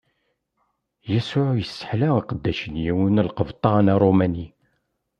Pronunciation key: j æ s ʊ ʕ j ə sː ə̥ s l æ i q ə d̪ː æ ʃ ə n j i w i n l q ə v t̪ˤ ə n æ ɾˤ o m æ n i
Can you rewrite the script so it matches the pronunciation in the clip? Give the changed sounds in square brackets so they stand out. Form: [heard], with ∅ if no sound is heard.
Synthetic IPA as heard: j æ s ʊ ʕ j ə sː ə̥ [ħ] l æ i q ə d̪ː æ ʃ ə n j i w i n l q ə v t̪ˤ [ɑ] n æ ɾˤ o m æ n i